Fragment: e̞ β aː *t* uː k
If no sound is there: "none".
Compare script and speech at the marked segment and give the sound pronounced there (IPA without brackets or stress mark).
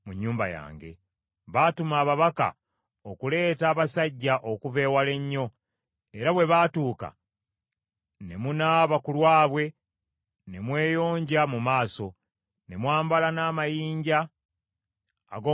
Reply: t